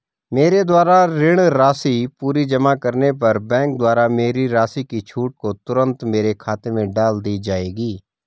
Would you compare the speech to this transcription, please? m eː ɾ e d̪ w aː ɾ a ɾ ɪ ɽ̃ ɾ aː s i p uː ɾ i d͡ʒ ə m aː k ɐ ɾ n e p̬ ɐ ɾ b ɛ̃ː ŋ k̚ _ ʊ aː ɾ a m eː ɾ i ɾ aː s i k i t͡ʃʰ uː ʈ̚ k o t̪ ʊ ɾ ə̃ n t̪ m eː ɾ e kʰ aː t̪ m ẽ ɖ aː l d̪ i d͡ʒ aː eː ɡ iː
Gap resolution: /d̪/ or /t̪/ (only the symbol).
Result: d̪